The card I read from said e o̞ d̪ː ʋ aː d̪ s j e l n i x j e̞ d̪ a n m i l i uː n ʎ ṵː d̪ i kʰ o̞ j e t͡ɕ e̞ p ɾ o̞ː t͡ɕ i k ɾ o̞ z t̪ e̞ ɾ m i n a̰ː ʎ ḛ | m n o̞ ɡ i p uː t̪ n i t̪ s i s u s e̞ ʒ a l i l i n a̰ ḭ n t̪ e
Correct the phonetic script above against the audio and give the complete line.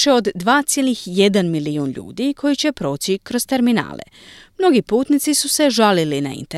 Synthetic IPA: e o̞ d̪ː ʋ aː t̪ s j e l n i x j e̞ d̪ a n m i l i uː n ʎ ṵː d̪ i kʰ o̞ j i t͡ɕ e̞ p ɾ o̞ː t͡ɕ i k ɾ o̞ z t̪ e̞ ɾ m i n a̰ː l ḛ | m n o̞ ɡ i p uː t̪ n i t̪ s i s u s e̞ ʒ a l i l i n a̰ ḭ n t̪ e